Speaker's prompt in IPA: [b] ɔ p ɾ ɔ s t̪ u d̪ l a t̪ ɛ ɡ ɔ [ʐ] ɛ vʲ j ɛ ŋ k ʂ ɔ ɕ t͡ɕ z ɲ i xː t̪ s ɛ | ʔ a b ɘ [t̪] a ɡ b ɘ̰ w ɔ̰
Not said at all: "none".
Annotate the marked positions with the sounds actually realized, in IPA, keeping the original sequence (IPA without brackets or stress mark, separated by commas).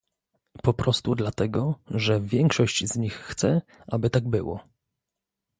p, ʐ, t̪